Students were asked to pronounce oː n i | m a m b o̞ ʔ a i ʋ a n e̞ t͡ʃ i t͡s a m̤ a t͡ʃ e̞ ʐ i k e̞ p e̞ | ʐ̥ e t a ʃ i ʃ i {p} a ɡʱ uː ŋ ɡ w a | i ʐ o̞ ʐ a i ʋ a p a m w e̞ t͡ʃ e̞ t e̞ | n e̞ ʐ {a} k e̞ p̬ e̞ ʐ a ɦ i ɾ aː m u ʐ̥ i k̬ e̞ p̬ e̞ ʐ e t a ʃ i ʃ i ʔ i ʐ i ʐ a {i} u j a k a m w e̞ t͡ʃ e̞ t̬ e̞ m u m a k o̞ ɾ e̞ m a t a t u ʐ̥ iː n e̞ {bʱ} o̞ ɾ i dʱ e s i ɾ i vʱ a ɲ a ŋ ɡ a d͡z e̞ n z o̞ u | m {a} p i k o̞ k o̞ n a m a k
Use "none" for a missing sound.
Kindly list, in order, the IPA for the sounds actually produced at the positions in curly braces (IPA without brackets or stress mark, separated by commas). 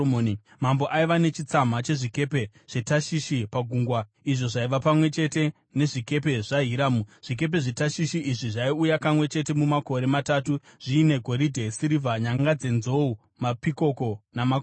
p, i, i, ɡʱ, a